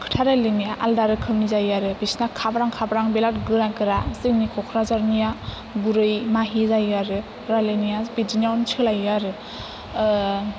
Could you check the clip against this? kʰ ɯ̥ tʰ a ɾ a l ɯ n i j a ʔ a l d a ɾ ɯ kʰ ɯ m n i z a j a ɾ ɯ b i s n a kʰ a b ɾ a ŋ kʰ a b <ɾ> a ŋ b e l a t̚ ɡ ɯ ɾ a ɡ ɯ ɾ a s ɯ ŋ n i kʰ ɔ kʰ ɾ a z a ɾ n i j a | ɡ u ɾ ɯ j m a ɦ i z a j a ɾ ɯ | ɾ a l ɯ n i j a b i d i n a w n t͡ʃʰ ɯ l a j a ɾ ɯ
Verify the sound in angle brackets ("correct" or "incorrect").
correct